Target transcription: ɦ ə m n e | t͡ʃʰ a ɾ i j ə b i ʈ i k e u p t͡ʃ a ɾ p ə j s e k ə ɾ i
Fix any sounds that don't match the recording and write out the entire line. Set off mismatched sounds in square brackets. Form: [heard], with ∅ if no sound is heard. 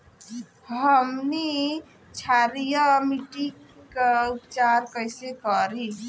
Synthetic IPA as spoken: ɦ ə m n [i] | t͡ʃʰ a ɾ i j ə [m] i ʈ i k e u p t͡ʃ a ɾ [k] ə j s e k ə ɾ i